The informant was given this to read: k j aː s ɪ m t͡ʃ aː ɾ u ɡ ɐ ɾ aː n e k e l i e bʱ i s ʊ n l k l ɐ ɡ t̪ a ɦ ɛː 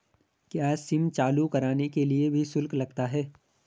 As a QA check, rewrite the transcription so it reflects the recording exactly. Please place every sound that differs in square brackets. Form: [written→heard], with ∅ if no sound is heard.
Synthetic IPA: k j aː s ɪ m t͡ʃ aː [ɾ→l] u [ɡ→k] ɐ ɾ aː n e k e l i e bʱ i s ʊ [n→∅] l k l ɐ ɡ t̪ a ɦ ɛː